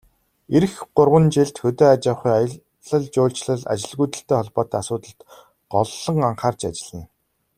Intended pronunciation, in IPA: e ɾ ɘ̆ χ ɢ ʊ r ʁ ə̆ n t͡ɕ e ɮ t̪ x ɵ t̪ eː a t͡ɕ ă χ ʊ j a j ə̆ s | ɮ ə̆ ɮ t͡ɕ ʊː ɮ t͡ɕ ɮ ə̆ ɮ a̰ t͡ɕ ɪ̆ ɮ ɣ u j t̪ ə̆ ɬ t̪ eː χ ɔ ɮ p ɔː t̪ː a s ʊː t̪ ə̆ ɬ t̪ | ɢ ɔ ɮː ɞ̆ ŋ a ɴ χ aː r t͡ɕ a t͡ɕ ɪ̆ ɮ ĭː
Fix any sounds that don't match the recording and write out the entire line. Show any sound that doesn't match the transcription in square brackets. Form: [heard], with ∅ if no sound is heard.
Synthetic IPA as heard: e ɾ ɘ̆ [x] ɢ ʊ r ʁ ə̆ n t͡ɕ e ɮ t̪ x ɵ t̪ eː a t͡ɕ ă χ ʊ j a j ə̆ [∅] | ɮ ə̆ ɮ t͡ɕ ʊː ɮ t͡ɕ ɮ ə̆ ɮ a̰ t͡ɕ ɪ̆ ɮ ɣ u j t̪ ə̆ ɬ t̪ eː χ ɔ ɮ p ɔː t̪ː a s ʊː t̪ ə̆ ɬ t̪ | ɢ ɔ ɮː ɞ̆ ŋ a ɴ χ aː r t͡ɕ a t͡ɕ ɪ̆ ɮ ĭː